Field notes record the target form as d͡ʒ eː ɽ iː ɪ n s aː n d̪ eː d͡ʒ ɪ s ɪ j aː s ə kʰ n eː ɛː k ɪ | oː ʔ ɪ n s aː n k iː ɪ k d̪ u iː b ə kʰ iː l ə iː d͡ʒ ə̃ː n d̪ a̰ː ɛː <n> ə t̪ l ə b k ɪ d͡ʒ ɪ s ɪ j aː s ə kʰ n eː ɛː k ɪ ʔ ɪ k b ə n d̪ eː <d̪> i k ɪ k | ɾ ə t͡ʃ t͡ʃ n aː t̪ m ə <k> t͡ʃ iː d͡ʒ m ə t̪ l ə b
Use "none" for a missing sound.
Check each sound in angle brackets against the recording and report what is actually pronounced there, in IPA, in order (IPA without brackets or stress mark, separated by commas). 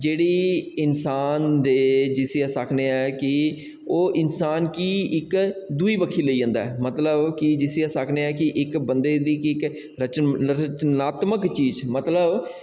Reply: m, d̪, k